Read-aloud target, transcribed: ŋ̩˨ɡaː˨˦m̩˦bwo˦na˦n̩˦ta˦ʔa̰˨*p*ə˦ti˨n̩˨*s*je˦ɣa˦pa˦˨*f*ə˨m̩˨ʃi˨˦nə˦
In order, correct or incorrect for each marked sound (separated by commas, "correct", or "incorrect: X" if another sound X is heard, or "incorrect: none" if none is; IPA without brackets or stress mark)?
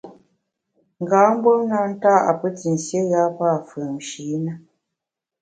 correct, correct, correct